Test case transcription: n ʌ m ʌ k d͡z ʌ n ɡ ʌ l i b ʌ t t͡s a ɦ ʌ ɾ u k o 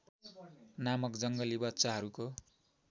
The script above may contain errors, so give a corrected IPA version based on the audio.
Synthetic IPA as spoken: n a m ʌ k d͡z ʌ ŋ ɡ ʌ l i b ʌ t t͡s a ɦ ʌ ɾ u k o